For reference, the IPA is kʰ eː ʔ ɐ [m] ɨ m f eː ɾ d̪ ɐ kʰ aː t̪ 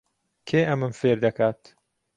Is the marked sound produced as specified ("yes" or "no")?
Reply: yes